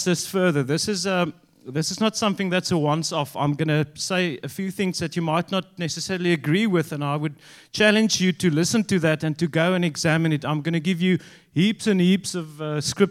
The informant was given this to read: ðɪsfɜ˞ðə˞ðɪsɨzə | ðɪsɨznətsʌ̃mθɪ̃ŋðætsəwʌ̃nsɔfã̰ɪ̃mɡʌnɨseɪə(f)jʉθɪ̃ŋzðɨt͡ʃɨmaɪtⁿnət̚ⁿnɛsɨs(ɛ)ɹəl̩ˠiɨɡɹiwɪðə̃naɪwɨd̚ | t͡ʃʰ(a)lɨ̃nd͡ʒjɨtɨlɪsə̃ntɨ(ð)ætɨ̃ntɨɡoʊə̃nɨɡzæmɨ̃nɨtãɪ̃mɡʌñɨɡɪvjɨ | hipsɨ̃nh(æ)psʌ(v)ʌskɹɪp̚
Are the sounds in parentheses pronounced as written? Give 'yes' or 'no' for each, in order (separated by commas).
yes, yes, no, yes, no, yes